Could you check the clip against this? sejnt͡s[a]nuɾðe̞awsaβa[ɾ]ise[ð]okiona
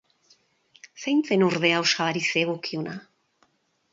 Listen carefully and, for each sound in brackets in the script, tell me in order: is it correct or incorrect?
incorrect: e, correct, incorrect: ɣ

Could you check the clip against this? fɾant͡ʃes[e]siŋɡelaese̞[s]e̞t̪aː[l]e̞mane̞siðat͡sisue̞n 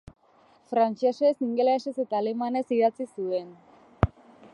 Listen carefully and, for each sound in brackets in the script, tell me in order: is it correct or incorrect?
correct, correct, correct

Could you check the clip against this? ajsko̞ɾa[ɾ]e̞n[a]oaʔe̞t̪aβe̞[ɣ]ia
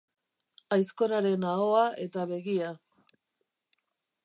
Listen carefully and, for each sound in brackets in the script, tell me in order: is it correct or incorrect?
correct, correct, correct

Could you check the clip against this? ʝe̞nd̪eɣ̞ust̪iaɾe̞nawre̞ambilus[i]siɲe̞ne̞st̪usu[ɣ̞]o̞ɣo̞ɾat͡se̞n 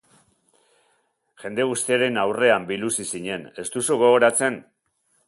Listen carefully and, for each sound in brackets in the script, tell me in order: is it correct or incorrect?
correct, correct

